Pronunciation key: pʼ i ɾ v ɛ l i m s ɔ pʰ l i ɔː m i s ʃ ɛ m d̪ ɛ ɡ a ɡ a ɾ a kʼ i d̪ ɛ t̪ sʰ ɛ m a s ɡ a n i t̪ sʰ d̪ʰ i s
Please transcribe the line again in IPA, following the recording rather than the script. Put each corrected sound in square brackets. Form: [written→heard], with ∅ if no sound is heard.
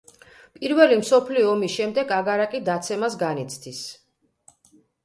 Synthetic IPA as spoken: pʼ i ɾ v ɛ l i m s ɔ pʰ l i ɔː m i s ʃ ɛ m d̪ ɛ ɡ a ɡ a ɾ a kʼ i d̪ [ɛ→a] t̪ sʰ ɛ m a s ɡ a n i t̪ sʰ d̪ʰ i s